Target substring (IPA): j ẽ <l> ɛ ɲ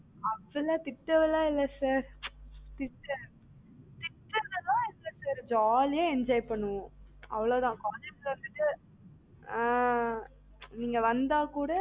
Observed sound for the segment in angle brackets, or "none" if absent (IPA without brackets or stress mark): none